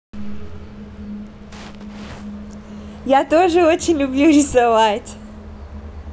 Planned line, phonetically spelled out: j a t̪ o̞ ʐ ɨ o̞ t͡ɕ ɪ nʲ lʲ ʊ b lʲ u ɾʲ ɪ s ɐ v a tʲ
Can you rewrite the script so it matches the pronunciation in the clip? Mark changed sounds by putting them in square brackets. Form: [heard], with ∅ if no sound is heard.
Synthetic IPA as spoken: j a t̪ o̞ ʐ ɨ o̞ t͡ɕ ɪ nʲ lʲ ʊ b lʲ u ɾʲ ɪ s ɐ v a tʲ

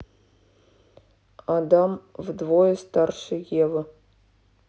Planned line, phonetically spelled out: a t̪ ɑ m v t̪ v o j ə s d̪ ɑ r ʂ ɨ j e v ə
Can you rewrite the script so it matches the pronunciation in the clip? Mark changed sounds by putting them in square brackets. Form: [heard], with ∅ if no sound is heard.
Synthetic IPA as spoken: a [d̪] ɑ m v [d̪] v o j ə s [t̪] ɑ r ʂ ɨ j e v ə

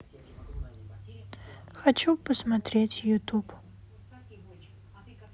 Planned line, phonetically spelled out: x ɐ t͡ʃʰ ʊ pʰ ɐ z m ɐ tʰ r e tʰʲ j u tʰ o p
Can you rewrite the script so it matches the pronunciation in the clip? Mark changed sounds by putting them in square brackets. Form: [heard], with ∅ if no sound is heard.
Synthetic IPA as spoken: x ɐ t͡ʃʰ [u] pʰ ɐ [s] m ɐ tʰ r e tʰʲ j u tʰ [u] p

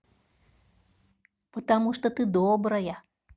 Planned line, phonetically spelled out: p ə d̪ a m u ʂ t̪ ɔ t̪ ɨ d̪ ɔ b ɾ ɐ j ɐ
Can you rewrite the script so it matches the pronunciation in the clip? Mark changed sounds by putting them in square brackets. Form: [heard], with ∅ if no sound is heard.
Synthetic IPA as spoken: p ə [t̪] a m u ʂ t̪ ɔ t̪ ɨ d̪ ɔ b ɾ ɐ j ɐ

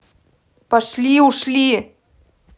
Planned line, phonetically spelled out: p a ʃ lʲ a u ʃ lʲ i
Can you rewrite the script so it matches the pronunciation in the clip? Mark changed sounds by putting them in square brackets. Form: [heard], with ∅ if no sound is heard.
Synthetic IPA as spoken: p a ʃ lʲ [i] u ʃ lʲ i

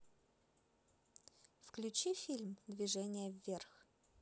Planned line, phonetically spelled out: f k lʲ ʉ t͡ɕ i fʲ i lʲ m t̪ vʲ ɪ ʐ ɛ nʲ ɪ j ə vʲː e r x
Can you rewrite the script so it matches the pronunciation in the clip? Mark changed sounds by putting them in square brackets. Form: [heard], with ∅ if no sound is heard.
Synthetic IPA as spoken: f k lʲ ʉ t͡ɕ i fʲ i lʲ m [d̪] vʲ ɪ ʐ ɛ nʲ ɪ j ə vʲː e r x

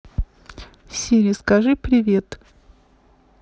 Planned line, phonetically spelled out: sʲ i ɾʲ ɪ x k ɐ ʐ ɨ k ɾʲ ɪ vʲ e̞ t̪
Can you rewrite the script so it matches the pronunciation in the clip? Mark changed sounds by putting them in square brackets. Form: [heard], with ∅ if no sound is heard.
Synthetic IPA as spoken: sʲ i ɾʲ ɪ [s] k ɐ ʐ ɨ [p] ɾʲ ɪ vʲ e̞ t̪

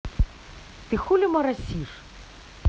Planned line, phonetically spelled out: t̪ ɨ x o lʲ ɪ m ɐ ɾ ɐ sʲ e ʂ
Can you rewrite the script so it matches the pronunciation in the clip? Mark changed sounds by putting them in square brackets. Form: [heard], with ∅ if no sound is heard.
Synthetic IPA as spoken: t̪ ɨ x [u] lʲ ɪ m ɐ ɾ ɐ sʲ [i] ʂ

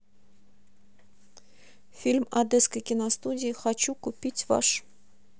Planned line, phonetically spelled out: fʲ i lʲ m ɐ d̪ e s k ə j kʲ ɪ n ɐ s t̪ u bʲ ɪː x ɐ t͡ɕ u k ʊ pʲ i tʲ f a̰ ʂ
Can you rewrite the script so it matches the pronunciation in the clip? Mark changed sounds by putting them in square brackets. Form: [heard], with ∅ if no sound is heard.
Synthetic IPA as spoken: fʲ i lʲ m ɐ d̪ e s k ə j kʲ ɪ n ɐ s t̪ u [dʲ] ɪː x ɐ t͡ɕ u k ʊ pʲ i tʲ [v] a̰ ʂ

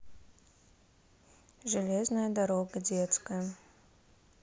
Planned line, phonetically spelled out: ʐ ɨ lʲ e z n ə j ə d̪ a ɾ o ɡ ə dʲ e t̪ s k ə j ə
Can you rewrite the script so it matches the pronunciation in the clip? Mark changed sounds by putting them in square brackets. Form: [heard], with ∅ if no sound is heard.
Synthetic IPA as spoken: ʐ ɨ lʲ e z n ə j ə d̪ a ɾ o ɡ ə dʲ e t̪ s k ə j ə

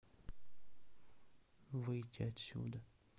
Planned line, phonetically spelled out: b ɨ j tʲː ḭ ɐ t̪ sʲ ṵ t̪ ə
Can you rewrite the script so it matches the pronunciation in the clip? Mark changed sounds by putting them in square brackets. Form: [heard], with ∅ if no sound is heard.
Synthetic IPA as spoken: [v] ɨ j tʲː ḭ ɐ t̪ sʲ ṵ [d̪] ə

